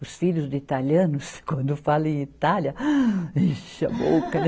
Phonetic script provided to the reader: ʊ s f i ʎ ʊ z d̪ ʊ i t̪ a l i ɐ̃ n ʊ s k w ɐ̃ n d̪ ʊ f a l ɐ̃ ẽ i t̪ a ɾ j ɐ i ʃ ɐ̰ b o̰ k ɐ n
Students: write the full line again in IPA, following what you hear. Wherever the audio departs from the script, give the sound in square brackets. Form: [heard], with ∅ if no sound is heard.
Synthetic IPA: ʊ s f i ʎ ʊ z d̪ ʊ i t̪ a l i ɐ̃ n ʊ s k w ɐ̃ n d̪ ʊ f a l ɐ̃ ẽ i t̪ a [l] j ɐ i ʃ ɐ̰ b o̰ k ɐ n